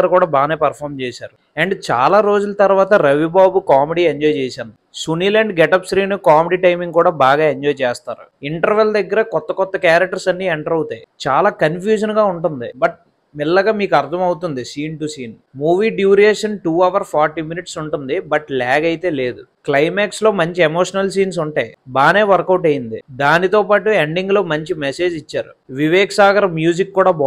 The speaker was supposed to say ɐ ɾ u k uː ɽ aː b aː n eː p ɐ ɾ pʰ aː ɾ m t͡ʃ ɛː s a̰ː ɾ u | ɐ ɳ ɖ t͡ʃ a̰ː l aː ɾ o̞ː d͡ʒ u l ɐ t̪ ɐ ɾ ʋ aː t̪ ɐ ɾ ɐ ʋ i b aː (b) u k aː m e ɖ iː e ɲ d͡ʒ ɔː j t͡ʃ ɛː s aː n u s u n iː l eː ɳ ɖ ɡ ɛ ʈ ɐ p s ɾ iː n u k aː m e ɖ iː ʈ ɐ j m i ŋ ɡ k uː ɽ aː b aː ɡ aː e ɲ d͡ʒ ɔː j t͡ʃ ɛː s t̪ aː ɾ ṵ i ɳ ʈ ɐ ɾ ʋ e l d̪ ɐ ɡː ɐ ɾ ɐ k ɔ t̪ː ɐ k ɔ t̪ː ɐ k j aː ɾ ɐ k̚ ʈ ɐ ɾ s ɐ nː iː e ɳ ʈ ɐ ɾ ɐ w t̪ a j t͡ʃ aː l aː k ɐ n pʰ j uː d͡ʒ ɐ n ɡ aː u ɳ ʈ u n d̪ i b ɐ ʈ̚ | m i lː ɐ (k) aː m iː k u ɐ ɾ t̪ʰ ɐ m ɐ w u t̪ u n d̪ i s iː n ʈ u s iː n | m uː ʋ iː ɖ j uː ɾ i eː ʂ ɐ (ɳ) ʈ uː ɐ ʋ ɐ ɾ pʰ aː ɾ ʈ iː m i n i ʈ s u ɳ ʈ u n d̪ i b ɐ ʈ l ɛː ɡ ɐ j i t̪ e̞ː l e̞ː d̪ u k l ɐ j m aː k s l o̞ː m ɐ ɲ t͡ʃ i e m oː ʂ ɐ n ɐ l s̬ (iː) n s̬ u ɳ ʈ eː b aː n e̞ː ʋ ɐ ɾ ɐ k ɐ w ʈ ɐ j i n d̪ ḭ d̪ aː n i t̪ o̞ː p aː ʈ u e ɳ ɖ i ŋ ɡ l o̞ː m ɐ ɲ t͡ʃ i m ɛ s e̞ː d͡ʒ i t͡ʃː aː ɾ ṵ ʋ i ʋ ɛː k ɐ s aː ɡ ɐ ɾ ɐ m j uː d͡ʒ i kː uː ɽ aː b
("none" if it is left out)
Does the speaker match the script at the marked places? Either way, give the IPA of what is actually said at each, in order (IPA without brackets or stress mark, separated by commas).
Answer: b, ɡ, n, iː